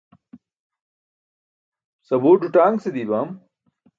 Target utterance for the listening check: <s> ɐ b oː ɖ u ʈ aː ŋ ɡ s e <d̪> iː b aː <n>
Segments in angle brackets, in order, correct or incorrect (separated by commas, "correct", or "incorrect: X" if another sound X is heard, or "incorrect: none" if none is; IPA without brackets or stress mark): correct, correct, incorrect: m